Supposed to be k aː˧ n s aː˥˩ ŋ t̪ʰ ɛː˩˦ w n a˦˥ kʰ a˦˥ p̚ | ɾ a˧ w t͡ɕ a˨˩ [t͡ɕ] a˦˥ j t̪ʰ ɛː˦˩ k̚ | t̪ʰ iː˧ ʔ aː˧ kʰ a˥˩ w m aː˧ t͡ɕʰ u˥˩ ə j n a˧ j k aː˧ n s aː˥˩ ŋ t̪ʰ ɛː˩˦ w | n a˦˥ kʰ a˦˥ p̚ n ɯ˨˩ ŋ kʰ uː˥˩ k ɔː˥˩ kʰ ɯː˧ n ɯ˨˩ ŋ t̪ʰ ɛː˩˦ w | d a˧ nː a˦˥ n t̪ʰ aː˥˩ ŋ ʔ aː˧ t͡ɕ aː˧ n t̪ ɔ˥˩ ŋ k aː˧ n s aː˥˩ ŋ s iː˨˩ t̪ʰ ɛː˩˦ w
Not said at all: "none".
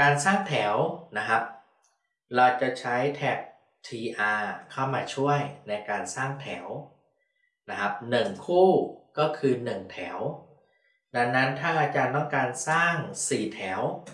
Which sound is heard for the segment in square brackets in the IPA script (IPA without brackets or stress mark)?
t͡ɕʰ